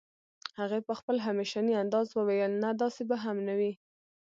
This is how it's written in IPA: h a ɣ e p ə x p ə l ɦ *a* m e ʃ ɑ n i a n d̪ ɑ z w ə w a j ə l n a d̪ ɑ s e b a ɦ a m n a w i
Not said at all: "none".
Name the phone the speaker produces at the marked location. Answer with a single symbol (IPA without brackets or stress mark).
a